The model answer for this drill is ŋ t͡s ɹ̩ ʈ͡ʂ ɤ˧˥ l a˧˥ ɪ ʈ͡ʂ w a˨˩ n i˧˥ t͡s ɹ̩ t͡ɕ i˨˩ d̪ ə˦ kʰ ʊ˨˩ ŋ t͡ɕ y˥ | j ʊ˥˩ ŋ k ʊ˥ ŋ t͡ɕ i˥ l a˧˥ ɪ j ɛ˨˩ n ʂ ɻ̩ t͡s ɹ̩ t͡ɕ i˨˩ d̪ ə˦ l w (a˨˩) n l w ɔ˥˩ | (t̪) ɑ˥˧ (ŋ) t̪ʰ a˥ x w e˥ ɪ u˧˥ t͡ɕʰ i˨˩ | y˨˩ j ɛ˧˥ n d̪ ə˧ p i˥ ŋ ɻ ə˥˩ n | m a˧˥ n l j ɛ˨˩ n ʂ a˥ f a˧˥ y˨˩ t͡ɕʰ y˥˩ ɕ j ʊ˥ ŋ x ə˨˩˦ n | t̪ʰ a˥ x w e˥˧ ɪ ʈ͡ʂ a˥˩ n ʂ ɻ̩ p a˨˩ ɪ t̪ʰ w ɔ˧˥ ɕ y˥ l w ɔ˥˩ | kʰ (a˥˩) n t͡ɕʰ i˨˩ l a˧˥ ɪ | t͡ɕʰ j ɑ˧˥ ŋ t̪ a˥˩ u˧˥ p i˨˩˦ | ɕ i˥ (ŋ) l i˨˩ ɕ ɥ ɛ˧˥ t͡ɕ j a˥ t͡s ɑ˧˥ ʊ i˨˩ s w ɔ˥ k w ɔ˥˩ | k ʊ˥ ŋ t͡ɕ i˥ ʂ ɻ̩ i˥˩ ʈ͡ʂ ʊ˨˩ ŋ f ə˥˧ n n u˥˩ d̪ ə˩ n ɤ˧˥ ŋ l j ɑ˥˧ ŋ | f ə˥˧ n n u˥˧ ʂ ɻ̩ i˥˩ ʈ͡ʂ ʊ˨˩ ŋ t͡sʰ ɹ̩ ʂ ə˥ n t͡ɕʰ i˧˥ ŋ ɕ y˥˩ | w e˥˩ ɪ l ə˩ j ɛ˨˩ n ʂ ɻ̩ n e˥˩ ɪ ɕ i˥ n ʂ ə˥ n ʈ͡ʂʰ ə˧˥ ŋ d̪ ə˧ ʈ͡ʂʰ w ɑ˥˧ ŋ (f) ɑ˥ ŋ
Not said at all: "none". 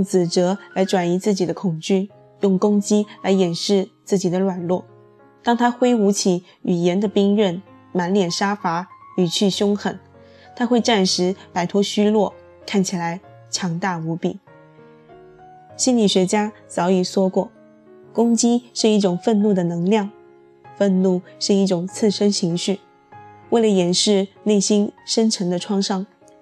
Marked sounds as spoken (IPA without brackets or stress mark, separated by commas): a˨˩, t̪, ŋ, a˥˩, n, ʂ